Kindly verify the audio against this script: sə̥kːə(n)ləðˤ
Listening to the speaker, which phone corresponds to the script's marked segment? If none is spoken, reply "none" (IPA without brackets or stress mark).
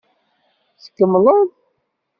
m